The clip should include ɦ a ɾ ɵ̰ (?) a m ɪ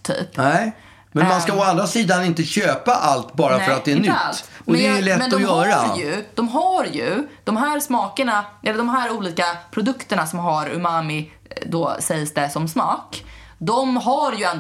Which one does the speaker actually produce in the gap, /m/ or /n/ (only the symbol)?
m